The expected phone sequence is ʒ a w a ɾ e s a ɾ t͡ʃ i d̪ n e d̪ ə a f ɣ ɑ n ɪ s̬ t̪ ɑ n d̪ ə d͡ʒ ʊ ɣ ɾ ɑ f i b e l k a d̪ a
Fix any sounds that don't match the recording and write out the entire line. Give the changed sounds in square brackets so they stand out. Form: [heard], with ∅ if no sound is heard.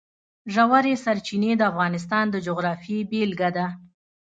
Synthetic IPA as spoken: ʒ a w a ɾ e s a ɾ t͡ʃ i [∅] n e d̪ ə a f ɣ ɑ n ɪ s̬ t̪ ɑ n d̪ ə d͡ʒ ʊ ɣ ɾ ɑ f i b e l [ɡ] a d̪ a